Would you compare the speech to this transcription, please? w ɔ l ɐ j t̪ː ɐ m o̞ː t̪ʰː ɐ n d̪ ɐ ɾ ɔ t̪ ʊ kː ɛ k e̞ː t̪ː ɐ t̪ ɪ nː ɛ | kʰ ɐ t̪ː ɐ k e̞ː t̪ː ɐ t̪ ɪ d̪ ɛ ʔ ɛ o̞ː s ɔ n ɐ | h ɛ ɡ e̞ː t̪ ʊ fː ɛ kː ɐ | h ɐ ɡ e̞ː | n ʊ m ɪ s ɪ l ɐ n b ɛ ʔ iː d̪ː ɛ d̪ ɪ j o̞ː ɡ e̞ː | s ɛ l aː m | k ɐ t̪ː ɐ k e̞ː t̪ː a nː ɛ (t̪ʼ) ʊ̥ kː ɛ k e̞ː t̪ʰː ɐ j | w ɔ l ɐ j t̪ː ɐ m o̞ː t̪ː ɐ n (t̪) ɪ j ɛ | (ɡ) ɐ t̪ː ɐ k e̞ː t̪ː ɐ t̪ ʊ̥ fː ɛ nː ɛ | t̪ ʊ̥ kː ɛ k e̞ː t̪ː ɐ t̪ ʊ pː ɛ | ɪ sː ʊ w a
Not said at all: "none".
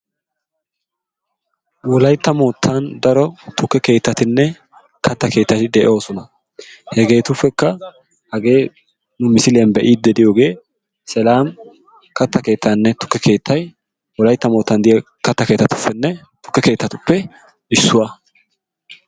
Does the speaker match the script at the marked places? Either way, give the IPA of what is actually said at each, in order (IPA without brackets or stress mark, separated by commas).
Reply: t̪, d̪, k